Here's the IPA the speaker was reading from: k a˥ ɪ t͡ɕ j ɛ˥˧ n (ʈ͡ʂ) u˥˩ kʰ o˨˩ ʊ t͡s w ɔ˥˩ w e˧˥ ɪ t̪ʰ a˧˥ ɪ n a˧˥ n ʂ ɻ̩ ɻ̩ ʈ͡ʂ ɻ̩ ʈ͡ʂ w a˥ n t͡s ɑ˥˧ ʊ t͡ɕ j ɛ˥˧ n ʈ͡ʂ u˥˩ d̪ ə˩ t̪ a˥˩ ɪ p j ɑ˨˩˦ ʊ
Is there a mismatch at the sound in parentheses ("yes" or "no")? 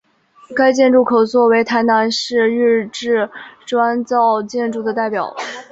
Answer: no